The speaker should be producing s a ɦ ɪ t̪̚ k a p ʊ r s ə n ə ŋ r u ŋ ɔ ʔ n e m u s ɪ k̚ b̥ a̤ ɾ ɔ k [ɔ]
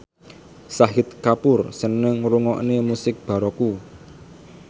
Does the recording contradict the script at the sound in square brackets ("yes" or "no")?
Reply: yes